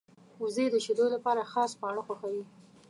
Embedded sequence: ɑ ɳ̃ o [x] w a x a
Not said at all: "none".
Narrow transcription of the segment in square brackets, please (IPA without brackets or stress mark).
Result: x